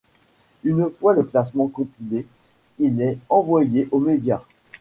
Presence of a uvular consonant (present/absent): absent